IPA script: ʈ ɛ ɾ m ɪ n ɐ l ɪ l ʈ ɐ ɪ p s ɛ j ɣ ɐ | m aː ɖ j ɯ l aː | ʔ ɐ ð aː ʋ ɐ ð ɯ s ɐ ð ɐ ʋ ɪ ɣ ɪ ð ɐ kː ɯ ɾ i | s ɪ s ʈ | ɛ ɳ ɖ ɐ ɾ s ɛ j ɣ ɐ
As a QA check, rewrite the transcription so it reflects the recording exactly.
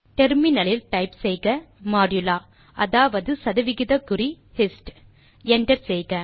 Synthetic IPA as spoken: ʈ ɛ ɾ m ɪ n ɐ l ɪ l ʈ ɐ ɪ p s ɛ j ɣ ɐ | m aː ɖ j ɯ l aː | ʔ ɐ ð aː ʋ ɐ ð ɯ s ɐ ð ɐ ʋ ɪ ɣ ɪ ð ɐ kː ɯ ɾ i | h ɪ s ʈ | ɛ ɳ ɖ ɐ ɾ s ɛ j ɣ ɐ